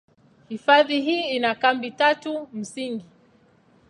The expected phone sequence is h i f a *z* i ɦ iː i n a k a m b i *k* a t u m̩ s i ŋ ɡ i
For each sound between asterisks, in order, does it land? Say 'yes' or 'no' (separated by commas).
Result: no, no